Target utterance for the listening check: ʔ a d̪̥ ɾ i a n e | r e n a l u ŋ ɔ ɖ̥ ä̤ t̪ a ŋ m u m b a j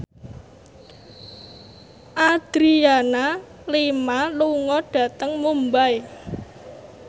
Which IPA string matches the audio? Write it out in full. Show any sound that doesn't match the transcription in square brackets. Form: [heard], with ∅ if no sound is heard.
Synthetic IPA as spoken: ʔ a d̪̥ ɾ i a n [a] | [l] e [m] a l u ŋ ɔ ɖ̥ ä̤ t̪ [ə] ŋ m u m b a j